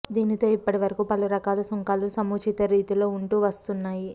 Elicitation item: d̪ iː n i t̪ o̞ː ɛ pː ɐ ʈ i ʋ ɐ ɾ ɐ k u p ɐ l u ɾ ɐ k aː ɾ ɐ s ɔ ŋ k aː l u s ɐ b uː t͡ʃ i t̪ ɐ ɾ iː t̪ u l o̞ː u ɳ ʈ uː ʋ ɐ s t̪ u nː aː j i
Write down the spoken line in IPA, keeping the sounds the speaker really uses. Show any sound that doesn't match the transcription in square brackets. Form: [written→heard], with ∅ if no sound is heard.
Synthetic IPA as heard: d̪ iː n i t̪ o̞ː [ɛ→i] pː ɐ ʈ i ʋ ɐ ɾ ɐ k u p ɐ l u ɾ ɐ k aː [ɾ→l] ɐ s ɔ ŋ k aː l u s ɐ [b→m] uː t͡ʃ i t̪ ɐ ɾ iː t̪ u l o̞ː u ɳ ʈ uː ʋ ɐ s t̪ u nː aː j i